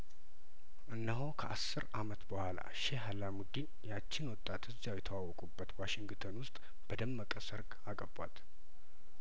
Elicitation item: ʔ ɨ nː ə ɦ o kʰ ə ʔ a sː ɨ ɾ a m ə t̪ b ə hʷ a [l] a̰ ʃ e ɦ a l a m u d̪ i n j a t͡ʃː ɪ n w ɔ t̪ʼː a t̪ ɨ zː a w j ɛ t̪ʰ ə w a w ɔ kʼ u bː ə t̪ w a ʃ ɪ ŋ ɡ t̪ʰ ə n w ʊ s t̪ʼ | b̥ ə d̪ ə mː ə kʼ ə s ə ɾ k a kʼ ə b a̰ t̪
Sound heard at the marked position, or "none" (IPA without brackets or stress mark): l